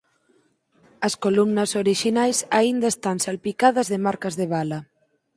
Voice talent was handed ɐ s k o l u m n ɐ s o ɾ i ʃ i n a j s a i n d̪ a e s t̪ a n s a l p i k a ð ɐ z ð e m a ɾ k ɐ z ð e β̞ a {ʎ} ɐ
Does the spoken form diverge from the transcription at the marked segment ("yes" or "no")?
yes